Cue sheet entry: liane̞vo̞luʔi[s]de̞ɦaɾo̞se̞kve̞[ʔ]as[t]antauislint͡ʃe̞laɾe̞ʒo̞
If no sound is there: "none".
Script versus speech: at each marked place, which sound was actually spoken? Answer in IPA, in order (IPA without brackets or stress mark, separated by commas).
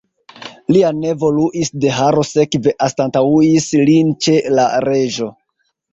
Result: s, ʔ, t